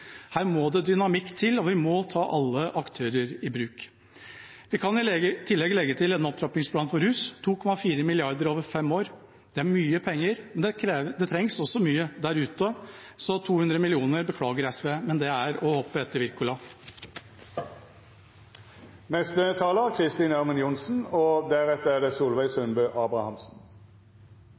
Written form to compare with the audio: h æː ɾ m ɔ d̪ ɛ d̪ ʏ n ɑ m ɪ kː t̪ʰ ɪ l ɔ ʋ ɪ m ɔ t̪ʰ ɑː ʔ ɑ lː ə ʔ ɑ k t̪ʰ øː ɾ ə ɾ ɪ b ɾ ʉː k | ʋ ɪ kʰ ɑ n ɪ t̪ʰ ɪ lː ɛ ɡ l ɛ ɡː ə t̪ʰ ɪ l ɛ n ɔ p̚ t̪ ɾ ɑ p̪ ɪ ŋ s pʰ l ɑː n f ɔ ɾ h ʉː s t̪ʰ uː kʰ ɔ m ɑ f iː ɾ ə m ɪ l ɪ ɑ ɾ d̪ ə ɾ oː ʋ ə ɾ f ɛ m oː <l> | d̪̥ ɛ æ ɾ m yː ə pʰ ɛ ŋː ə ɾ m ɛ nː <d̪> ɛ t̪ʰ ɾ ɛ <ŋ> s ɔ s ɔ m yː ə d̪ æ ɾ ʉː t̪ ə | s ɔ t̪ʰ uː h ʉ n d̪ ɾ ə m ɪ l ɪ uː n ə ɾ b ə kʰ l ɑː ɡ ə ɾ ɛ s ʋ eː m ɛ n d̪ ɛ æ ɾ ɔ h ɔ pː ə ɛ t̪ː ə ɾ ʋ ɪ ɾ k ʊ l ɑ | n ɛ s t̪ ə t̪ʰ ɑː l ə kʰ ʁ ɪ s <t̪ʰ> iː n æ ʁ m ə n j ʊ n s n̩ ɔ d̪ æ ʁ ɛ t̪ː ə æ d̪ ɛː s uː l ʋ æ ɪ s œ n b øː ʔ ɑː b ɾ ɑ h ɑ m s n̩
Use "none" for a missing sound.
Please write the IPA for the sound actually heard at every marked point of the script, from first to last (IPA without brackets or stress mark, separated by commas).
ɾ, d̪, ŋ, t̪